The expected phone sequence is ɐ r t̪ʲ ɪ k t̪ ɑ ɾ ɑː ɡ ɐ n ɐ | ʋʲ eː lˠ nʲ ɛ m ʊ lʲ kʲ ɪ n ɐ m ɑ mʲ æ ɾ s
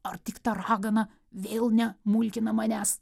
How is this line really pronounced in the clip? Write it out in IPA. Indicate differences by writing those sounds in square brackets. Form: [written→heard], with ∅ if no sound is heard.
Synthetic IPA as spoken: ɐ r t̪ʲ ɪ k t̪ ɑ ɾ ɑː ɡ ɐ n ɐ | ʋʲ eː lˠ nʲ ɛ m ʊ lʲ kʲ ɪ n ɐ m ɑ [mʲ→nʲ] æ [ɾ→∅] s